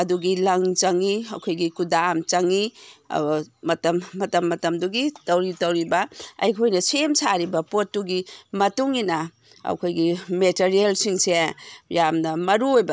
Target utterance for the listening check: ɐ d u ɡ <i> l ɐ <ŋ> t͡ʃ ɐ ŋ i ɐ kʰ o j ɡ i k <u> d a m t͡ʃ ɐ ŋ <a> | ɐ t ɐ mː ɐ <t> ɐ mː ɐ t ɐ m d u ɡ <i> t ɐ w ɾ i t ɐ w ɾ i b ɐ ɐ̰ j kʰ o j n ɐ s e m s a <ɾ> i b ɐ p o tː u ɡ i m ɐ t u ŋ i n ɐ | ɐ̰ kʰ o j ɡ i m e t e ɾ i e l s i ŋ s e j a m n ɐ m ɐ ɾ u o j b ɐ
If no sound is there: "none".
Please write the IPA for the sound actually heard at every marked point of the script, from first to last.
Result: i, ŋ, u, i, t, i, ɾ

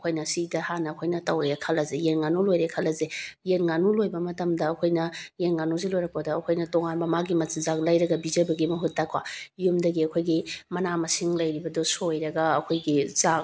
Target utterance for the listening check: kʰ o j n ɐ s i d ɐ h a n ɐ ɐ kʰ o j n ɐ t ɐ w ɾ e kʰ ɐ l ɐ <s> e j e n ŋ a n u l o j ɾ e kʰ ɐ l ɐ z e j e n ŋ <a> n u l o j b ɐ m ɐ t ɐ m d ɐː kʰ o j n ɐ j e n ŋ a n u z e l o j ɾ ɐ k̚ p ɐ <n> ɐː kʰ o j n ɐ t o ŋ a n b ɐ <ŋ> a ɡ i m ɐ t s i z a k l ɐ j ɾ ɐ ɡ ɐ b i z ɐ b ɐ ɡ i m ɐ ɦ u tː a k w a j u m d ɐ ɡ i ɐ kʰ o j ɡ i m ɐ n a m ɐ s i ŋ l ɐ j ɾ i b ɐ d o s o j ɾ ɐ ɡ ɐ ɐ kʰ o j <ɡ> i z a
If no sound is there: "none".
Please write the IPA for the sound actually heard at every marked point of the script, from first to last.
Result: z, a, d, m, ɡ

